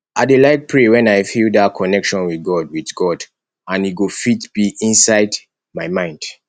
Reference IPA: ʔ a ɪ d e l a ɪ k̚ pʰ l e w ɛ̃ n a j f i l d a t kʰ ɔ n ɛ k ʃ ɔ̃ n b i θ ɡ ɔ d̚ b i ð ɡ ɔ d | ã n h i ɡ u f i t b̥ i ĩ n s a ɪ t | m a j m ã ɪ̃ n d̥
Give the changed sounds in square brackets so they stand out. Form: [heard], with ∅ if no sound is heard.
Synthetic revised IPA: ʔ a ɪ d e l a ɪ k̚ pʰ [ɹ] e w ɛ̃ n a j f i l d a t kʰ ɔ n ɛ k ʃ ɔ̃ n [w] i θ ɡ ɔ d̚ [w] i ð ɡ ɔ d | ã n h i ɡ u f i t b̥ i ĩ n s a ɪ [d] | m a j m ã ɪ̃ n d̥